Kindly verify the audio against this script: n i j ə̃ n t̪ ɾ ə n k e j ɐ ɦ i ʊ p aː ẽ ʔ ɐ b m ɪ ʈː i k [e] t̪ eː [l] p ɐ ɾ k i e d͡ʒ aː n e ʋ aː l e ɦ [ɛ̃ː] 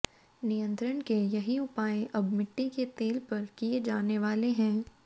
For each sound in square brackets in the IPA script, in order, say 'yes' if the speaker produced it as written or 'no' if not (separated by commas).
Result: yes, yes, yes